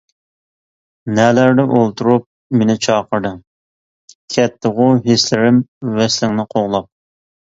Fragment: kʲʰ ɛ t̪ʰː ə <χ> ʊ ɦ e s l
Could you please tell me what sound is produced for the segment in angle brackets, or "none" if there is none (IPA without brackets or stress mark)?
ʁ